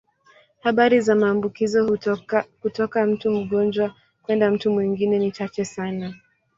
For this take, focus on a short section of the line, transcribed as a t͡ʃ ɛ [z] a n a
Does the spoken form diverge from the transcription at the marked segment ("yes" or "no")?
yes